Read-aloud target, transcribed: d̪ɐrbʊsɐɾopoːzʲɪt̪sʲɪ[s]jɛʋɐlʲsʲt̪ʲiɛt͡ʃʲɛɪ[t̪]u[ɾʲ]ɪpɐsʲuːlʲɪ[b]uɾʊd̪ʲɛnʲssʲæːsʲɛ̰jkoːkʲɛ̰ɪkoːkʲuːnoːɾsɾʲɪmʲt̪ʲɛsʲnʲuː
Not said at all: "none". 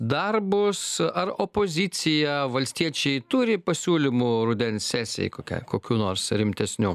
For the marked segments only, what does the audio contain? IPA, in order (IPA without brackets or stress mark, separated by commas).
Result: none, t̪, ɾʲ, m